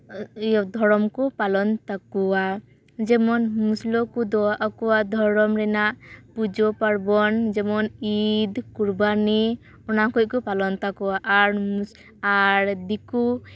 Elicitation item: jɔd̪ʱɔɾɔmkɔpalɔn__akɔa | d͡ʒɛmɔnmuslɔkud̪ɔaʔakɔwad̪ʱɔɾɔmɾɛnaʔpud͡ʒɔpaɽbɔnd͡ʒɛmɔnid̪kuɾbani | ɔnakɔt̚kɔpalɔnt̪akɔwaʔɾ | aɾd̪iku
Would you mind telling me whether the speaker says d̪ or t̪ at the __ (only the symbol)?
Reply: t̪